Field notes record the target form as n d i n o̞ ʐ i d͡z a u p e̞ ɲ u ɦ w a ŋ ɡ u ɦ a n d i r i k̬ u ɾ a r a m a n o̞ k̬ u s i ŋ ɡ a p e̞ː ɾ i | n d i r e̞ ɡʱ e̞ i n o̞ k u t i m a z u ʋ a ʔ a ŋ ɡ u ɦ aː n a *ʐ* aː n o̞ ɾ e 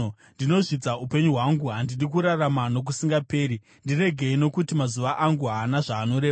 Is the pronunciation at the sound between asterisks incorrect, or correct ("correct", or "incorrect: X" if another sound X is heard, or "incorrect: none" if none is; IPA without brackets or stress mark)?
correct